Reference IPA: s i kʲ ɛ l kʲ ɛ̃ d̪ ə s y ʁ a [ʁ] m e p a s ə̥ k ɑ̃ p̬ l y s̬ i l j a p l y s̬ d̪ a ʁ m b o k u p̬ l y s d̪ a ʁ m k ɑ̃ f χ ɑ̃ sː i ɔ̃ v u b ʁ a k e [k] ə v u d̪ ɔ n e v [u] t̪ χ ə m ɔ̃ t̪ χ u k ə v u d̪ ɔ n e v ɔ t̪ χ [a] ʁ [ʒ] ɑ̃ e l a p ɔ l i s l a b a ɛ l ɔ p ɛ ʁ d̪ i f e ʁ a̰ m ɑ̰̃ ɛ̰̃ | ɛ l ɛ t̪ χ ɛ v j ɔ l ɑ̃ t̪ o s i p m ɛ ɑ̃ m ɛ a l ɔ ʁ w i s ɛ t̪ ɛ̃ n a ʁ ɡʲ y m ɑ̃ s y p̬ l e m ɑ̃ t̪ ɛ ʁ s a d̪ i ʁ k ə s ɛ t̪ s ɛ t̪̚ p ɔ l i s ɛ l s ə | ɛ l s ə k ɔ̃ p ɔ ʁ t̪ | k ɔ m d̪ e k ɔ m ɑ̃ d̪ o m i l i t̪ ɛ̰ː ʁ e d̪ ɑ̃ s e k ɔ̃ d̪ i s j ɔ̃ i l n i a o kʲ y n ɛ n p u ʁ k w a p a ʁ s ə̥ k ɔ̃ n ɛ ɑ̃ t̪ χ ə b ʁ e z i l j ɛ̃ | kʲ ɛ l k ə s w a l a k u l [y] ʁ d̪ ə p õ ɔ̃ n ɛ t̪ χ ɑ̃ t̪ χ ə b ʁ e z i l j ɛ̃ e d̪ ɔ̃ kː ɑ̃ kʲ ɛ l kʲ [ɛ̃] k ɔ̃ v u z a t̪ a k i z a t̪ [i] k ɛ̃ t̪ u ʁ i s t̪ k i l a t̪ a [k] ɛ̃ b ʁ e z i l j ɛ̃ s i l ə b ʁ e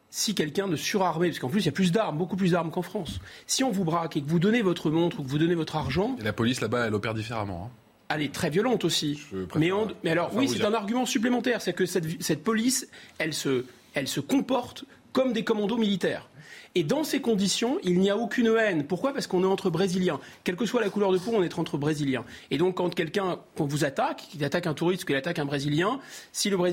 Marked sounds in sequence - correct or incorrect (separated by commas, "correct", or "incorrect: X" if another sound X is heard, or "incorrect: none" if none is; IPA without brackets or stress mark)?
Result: correct, correct, incorrect: ɔ, correct, correct, incorrect: œ, correct, incorrect: a, correct